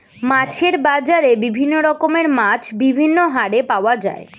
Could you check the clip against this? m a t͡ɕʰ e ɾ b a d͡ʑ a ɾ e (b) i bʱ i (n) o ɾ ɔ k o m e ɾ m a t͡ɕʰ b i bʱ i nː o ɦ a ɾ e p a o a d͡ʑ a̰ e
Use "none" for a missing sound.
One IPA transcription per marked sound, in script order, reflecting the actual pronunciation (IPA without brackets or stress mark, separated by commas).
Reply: b, nː